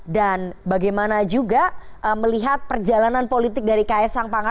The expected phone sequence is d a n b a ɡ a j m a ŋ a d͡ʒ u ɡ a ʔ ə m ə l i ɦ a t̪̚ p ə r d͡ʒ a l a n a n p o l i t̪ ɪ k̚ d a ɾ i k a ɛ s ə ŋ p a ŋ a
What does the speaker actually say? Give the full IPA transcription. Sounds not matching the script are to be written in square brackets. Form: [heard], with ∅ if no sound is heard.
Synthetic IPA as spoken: d a n b a ɡ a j m a [n] a d͡ʒ u ɡ a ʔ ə m ə l i ɦ a t̪̚ p ə r d͡ʒ a l a n a n p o l i t̪ ɪ k̚ d a ɾ i k a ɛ s [a] ŋ p a ŋ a